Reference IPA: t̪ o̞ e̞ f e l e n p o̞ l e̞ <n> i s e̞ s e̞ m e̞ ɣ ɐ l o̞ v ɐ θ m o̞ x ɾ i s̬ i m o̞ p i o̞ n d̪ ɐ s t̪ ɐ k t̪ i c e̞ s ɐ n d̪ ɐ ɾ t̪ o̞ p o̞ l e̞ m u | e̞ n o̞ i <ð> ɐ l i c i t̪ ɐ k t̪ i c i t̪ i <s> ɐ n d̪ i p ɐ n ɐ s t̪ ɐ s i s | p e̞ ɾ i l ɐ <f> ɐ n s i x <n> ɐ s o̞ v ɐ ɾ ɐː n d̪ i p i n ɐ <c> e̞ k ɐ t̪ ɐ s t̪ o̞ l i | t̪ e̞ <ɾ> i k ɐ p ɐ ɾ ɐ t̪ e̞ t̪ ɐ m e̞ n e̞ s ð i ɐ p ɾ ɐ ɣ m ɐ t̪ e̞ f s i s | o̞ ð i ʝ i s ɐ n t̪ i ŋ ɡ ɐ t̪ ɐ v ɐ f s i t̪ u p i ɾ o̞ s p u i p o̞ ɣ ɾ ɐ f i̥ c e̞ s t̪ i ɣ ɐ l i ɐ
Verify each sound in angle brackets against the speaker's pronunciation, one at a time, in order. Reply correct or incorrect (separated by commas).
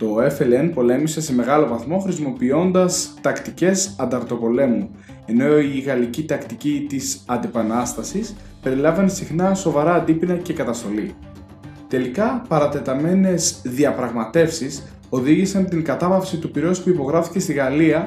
incorrect, incorrect, correct, incorrect, correct, correct, incorrect